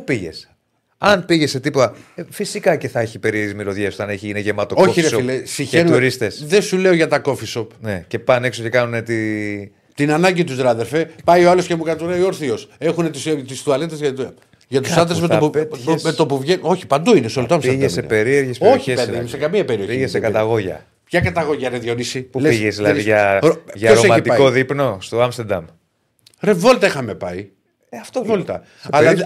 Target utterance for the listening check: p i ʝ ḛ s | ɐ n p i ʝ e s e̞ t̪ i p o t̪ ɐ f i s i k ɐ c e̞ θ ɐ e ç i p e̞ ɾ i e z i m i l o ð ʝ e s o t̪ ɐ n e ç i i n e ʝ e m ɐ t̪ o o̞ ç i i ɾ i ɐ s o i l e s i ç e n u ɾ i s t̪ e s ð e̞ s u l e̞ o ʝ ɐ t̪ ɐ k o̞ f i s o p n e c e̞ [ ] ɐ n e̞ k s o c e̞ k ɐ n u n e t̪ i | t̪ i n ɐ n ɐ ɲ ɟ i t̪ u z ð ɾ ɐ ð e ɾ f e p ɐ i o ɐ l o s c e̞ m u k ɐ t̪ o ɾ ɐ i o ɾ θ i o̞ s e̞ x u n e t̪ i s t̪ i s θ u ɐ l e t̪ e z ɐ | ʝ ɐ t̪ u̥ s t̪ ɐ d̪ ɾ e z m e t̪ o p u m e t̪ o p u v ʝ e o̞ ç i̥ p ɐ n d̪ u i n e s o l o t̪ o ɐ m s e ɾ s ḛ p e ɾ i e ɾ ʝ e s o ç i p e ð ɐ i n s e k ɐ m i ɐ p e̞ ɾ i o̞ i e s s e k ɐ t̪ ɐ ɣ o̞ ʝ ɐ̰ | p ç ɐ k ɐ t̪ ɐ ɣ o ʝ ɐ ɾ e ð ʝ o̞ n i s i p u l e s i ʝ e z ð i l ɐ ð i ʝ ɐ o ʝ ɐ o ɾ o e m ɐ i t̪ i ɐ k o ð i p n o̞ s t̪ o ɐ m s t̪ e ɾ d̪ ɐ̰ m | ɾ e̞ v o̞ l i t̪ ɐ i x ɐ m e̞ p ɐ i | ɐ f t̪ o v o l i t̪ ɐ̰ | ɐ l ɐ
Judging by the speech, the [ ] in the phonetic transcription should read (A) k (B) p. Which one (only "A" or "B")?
B